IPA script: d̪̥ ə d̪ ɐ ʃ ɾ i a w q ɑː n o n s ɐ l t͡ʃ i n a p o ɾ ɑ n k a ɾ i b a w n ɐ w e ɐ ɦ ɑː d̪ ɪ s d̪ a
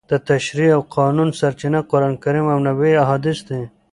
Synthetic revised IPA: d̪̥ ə t̪ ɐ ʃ ɾ i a w q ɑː n u n s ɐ ɾ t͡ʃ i n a q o ɾ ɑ n k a ɾ i m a w n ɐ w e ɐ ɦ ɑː d̪ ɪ s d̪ e